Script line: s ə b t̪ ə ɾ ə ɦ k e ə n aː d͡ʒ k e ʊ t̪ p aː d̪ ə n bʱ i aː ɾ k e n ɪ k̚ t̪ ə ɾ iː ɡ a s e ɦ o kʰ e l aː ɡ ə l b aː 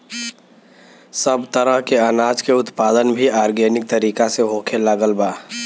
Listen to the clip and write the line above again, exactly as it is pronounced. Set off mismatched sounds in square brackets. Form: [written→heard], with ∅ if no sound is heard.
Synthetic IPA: s ə b t̪ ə ɾ ə ɦ k e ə n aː d͡ʒ k e ʊ t̪ p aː d̪ ə n bʱ i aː ɾ [k→ɡ] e n ɪ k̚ t̪ ə ɾ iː [ɡ→k] a s e ɦ o kʰ e l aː ɡ ə l b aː